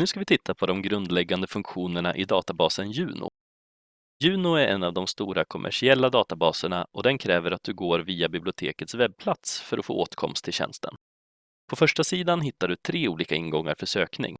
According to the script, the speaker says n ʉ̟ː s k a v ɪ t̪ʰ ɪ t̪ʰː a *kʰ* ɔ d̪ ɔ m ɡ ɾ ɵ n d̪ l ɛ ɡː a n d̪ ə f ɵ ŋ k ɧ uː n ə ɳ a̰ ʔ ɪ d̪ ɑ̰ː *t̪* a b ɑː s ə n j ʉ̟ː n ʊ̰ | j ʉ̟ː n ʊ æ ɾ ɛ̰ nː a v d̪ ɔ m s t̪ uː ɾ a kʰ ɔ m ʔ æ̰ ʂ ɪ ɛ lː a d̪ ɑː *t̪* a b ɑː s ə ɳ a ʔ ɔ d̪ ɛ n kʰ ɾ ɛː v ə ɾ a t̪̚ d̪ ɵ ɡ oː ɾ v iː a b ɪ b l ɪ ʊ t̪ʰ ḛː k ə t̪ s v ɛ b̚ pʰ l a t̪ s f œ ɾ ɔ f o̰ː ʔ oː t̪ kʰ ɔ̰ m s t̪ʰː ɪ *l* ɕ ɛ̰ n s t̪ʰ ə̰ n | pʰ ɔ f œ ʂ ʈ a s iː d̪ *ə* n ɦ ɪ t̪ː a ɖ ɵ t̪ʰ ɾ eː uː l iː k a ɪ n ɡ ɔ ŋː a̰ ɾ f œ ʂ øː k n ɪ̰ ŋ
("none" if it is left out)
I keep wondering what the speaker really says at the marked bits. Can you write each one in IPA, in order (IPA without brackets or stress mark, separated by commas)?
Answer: pʰ, t̪, t̪, l, a